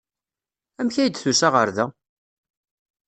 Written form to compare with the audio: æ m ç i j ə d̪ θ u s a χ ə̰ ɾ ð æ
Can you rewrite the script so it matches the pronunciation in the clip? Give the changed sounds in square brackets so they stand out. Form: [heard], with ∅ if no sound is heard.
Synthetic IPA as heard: æ m ç [æ] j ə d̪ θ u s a [ʁ] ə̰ ɾ ð æ

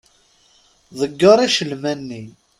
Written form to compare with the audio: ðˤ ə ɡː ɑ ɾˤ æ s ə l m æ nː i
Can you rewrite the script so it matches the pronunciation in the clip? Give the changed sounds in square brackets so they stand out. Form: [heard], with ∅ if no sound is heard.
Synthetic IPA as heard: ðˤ ə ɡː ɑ ɾˤ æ [ʃ] ə l m æ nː i

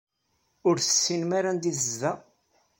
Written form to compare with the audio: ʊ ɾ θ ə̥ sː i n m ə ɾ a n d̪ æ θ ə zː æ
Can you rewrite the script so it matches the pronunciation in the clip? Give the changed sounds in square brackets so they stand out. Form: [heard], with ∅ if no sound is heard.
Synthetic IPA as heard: ʊ ɾ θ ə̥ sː i n m [a] ɾ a n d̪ [i] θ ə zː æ

